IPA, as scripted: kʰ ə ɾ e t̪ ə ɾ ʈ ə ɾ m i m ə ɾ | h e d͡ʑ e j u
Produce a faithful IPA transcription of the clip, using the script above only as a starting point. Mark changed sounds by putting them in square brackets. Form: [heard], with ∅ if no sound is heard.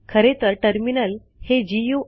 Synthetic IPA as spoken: kʰ ə ɾ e t̪ ə ɾ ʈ ə ɾ m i [n] ə [l] | h e d͡ʑ [i] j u